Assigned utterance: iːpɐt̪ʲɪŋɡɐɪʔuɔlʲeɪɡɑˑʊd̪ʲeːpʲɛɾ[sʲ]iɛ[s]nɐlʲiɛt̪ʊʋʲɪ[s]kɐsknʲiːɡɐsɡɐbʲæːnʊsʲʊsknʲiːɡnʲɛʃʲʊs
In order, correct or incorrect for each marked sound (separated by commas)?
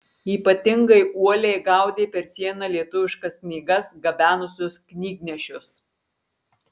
correct, incorrect, incorrect